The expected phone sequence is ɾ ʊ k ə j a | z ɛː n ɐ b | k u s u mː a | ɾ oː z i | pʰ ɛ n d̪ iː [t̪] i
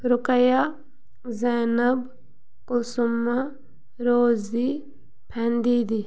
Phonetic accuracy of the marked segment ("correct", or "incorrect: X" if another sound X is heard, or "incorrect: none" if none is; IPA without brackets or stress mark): incorrect: d̪